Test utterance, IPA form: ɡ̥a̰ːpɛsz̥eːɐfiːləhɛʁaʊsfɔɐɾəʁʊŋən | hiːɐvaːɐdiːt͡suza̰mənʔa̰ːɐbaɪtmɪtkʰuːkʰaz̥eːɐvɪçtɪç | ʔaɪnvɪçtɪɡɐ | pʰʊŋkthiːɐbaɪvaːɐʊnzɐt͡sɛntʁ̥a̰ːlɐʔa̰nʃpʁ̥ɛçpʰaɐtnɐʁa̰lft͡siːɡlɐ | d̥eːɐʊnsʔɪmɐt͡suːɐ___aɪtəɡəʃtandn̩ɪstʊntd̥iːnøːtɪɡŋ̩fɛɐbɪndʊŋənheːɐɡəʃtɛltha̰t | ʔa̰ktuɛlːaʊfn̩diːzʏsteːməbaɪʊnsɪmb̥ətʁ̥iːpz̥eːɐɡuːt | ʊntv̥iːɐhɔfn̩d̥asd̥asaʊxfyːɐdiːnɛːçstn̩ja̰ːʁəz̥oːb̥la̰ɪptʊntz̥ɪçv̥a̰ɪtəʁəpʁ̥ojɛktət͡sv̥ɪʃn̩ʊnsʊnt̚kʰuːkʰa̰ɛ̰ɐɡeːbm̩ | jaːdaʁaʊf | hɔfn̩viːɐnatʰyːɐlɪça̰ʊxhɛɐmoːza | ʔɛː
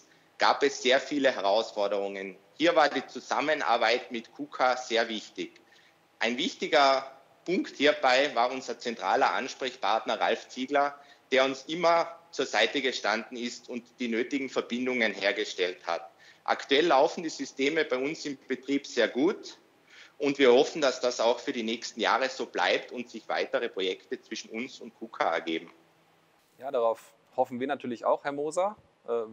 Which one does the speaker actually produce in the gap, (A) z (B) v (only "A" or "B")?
A